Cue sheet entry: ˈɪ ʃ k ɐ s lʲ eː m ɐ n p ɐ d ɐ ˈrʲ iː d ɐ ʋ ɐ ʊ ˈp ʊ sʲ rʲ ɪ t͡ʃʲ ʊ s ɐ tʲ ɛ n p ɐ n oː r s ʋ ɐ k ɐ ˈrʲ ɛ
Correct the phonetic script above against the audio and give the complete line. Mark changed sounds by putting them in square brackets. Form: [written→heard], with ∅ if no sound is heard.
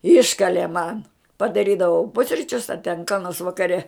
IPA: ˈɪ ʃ k ɐ [s→∅] lʲ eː m ɐ n p ɐ d ɐ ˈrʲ iː d ɐ ʋ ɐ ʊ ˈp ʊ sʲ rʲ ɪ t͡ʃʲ ʊ s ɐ tʲ ɛ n [p→k] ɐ n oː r s ʋ ɐ k ɐ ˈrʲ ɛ